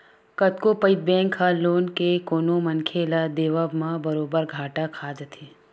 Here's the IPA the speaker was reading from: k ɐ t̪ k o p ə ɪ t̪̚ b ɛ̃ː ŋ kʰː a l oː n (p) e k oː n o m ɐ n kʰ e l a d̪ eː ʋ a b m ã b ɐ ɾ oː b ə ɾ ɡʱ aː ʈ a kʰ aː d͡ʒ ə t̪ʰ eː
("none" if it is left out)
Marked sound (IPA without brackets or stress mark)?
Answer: k